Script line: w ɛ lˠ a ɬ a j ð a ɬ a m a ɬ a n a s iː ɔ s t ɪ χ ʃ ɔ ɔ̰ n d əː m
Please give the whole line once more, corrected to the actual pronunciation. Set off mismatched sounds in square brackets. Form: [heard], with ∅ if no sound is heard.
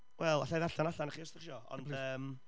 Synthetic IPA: w ɛ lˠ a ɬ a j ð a ɬ a [n] a ɬ a n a [χ] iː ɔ s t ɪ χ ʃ ɔ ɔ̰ n d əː m